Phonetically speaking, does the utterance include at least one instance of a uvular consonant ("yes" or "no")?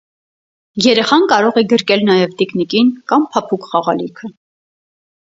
yes